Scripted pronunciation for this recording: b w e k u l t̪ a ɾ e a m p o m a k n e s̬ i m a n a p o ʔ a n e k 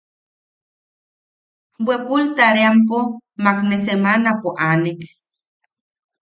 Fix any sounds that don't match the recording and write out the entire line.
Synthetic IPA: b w e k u l t̪ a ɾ e a m p o m a k n e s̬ e m a n a p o ʔ a n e k